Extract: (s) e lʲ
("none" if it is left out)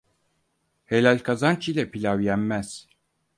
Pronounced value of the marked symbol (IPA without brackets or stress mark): h